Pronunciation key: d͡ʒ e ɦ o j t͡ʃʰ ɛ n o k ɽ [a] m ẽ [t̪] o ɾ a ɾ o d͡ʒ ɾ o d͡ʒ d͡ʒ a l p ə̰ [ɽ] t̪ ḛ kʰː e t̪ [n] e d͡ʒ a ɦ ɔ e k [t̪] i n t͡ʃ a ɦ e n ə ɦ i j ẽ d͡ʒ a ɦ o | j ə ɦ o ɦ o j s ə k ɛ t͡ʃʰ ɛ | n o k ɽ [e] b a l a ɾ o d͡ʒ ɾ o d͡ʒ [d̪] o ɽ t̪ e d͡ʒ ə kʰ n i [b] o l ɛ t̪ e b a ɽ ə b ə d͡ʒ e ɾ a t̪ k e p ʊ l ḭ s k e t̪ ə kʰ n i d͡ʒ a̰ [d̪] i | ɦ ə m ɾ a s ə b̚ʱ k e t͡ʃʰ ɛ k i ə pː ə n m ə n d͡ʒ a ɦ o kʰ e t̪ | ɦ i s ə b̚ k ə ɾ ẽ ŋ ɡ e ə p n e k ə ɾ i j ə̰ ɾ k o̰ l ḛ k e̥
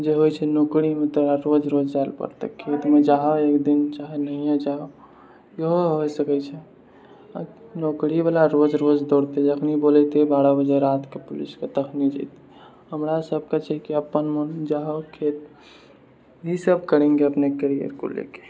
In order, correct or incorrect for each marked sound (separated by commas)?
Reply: incorrect, correct, incorrect, incorrect, incorrect, incorrect, correct, correct, incorrect